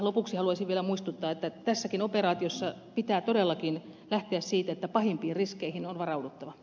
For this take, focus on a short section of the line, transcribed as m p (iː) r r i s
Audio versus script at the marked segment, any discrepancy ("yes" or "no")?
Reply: no